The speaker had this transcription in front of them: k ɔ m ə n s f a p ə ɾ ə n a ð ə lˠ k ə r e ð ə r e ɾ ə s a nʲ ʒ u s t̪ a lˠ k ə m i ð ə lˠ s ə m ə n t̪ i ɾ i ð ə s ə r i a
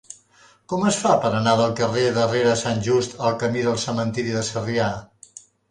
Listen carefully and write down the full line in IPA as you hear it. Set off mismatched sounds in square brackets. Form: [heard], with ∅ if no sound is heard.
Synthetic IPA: k ɔ m ə [∅] s f a p ə ɾ ə n a ð ə lˠ k ə r e ð ə r e ɾ ə s a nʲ ʒ u s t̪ [ə] lˠ k ə m i ð ə lˠ s ə m ə n t̪ i ɾ i ð ə s ə r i a